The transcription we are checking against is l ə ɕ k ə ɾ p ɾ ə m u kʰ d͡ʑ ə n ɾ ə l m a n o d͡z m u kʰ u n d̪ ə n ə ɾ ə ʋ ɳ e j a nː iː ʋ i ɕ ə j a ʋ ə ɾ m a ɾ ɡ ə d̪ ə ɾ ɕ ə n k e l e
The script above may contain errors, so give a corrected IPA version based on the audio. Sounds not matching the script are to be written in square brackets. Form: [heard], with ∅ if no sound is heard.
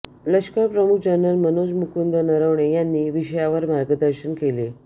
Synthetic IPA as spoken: l ə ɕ k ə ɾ p ɾ ə m u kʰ d͡ʑ ə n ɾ ə l m [ə] n o d͡z m u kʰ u n d̪ ə n ə ɾ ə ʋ ɳ e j a nː iː ʋ i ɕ ə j a ʋ ə ɾ m a ɾ ɡ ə d̪ ə ɾ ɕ ə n k e l e